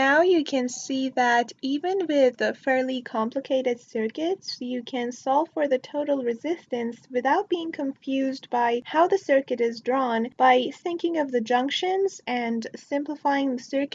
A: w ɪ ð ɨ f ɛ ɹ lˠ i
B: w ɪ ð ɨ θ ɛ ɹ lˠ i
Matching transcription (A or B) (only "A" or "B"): A